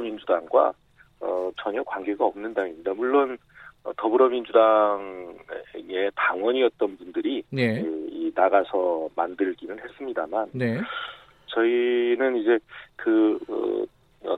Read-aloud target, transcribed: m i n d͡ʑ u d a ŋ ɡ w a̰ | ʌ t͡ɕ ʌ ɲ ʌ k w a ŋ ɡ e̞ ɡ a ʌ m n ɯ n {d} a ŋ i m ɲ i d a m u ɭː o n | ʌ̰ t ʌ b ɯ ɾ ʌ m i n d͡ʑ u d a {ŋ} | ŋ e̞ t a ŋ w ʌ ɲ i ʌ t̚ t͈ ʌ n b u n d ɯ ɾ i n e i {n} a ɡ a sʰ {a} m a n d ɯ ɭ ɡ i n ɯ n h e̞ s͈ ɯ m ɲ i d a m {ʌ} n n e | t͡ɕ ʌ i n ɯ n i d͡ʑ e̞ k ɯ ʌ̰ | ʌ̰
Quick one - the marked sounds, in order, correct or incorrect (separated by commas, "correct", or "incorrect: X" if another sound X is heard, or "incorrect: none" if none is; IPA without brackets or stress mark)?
correct, correct, correct, incorrect: ʌ, incorrect: a